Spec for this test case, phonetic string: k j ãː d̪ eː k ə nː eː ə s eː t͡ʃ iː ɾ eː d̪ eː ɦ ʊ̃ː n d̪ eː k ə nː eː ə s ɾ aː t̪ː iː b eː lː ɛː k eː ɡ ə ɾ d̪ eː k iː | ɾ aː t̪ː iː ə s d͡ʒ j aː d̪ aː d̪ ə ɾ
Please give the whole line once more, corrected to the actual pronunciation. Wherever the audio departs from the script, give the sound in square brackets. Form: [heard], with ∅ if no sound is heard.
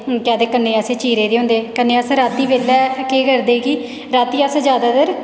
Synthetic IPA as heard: k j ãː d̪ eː k ə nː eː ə s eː t͡ʃ iː ɾ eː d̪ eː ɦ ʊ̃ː n d̪ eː k ə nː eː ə s ɾ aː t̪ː iː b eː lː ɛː k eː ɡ ə ɾ d̪ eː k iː | ɾ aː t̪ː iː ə s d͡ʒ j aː d̪ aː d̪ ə ɾ

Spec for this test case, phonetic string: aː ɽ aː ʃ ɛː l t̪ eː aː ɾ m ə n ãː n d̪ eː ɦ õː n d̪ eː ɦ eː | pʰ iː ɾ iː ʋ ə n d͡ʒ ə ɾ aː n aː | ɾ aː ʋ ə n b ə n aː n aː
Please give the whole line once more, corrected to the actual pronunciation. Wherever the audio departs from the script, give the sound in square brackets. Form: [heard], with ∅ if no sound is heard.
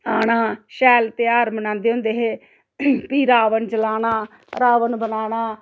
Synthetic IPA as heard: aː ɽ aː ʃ ɛː l t̪ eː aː ɾ m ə n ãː n d̪ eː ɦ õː n d̪ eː ɦ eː | [p] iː ɾ [aː] ʋ ə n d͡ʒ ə [l] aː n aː | ɾ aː ʋ ə n b ə n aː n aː

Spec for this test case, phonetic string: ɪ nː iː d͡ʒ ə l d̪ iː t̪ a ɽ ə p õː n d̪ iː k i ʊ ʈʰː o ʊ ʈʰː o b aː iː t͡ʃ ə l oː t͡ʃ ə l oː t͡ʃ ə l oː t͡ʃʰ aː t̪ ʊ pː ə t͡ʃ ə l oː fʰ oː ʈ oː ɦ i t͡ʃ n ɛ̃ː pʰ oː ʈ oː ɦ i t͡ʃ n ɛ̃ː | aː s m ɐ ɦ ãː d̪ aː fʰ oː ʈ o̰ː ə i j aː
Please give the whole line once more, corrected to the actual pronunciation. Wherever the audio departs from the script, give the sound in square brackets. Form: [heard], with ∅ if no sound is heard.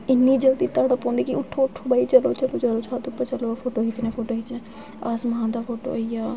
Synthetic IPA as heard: ɪ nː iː d͡ʒ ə l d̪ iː t̪ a ɽ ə p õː n d̪ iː k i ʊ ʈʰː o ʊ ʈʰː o b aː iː t͡ʃ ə l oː t͡ʃ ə l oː t͡ʃ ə l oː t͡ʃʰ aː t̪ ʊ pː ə t͡ʃ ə l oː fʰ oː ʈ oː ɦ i t͡ʃ n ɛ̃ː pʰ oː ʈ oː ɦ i t͡ʃ n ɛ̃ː | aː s m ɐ ɦ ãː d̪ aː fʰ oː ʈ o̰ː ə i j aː

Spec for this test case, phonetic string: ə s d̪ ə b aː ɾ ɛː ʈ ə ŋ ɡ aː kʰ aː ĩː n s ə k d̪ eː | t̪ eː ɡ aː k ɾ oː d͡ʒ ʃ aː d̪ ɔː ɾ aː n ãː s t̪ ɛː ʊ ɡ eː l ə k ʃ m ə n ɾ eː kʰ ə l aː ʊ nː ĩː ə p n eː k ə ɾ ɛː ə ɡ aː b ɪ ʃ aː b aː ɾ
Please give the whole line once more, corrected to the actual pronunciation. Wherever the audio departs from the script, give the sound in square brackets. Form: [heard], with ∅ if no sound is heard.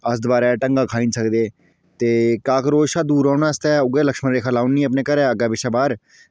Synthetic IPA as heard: ə s d̪ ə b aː ɾ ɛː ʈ ə ŋ ɡ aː kʰ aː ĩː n s ə k d̪ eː | t̪ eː [k] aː k ɾ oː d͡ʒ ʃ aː d̪ [uː] ɾ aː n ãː s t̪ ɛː ʊ ɡ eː l ə k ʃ m ə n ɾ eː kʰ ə l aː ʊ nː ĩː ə p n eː k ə ɾ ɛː ə ɡ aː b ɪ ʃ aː b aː ɾ

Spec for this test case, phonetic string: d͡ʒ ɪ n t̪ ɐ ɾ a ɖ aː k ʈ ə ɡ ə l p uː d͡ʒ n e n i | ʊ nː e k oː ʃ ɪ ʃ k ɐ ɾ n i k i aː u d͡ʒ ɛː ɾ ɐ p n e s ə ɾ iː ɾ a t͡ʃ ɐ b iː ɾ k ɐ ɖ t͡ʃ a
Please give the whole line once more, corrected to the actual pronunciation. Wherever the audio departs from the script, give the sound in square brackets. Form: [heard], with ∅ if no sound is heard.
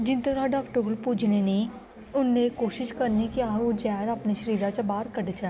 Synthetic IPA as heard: d͡ʒ ɪ n t̪ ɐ ɾ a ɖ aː k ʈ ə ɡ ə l p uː d͡ʒ n e n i | ʊ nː e k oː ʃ ɪ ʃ k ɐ ɾ n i k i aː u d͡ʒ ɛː ɾ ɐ p n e [ʃ] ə ɾ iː ɾ a t͡ʃ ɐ b [aː] ɾ k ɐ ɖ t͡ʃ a

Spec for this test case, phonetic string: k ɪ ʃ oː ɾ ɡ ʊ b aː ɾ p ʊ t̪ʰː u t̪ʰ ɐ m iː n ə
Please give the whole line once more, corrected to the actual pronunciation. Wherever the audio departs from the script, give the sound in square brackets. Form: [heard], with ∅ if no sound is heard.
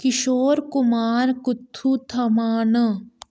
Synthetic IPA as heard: k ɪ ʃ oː ɾ [k] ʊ [m] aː ɾ [k] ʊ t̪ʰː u t̪ʰ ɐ m [aː] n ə

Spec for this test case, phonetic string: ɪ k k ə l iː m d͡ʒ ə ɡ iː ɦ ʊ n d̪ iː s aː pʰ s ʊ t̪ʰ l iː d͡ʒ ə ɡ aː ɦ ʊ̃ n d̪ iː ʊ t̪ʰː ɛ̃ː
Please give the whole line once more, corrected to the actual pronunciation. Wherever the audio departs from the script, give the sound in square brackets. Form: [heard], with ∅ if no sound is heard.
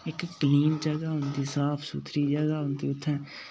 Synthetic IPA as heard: ɪ k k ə l iː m d͡ʒ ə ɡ [aː] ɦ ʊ n d̪ iː s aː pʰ s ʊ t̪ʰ [ɾ] iː d͡ʒ ə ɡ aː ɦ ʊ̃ n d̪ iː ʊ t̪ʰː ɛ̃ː

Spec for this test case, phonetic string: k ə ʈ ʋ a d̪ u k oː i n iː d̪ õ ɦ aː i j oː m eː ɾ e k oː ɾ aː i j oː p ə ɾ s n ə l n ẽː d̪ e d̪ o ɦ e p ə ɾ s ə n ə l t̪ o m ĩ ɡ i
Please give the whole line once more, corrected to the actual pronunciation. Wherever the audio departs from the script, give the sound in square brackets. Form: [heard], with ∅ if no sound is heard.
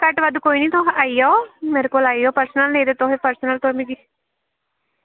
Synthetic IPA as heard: k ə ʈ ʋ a d̪ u k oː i n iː [t̪] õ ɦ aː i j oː m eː ɾ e k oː [l] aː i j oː p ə ɾ s n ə l n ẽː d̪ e [t̪] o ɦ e p ə ɾ s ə n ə l t̪ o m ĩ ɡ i

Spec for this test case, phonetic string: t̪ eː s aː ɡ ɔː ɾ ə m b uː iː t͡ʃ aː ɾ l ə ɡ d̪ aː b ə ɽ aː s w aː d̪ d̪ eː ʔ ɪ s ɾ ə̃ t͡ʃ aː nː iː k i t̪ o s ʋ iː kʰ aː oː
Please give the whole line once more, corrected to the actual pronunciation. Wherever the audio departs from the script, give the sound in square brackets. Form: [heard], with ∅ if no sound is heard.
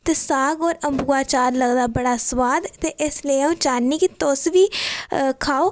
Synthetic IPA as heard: t̪ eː s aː ɡ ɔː ɾ ə m b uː [aː] t͡ʃ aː ɾ l ə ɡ d̪ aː b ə ɽ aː s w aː d̪ [t̪] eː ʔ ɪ s [l] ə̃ t͡ʃ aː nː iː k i t̪ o s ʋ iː kʰ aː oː

